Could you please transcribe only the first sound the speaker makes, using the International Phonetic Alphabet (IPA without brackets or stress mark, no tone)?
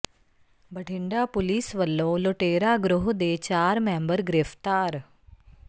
b